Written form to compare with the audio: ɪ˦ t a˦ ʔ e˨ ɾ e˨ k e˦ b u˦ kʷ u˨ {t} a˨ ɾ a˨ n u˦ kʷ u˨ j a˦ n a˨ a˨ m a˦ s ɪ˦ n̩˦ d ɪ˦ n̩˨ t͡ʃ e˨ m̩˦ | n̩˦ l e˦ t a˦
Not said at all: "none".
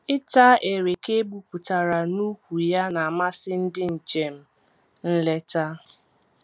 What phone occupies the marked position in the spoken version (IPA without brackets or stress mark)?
t